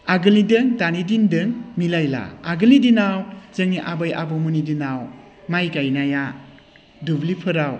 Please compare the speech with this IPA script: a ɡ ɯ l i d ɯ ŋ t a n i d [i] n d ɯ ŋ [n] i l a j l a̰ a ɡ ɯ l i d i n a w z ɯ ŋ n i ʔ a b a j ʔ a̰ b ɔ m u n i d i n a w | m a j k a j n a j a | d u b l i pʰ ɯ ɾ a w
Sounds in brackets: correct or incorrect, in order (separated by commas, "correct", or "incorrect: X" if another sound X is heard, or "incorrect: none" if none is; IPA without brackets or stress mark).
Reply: correct, incorrect: m